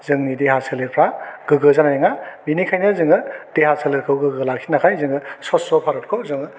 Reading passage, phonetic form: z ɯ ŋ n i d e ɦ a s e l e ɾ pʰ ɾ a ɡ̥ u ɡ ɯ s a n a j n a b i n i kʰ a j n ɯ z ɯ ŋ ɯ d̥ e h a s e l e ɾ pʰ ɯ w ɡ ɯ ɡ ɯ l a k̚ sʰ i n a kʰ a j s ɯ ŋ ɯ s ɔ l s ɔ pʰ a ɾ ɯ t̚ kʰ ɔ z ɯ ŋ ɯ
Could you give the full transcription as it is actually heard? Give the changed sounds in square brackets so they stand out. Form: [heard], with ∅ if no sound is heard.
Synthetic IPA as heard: z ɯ ŋ n i d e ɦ a s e l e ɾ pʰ ɾ a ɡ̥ [ɯ] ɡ ɯ [z] a n a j [ŋ] a b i n i kʰ a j n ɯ z ɯ ŋ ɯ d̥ e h a s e l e ɾ [kʰ] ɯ w ɡ ɯ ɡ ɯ l a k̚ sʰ i n a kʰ a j [z] ɯ ŋ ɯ s ɔ [∅] s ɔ pʰ a ɾ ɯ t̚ kʰ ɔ z ɯ ŋ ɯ